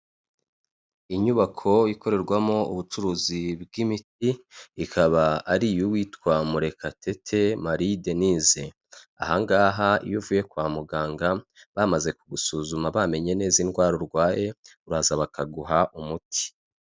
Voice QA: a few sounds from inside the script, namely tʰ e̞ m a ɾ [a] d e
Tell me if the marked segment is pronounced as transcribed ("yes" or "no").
no